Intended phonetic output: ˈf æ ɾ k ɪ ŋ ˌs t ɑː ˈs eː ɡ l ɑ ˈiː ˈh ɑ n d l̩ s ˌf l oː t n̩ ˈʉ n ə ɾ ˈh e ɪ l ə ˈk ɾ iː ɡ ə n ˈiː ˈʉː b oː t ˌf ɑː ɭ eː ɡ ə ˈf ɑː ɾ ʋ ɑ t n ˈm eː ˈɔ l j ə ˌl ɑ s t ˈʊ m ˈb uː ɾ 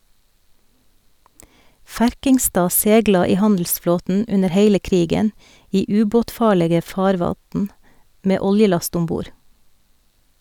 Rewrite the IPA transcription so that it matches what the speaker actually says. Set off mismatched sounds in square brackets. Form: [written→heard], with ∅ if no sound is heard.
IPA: ˈf æ ɾ k ɪ ŋ ˌs t ɑː ˈs eː ɡ l ɑ ˈiː ˈh ɑ n d l̩ s ˌf l oː t n̩ ˈʉ n ə ɾ ˈh e ɪ l ə ˈk ɾ iː ɡ ə n ˈiː ˈʉː b oː t ˌf ɑː ɭ eː ɡ ə ˈf ɑː ɾ ʋ ɑ t n ˈm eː ˈɔ l j ə ˌl ɑ s t ˈʊ m ˈb uː ɾ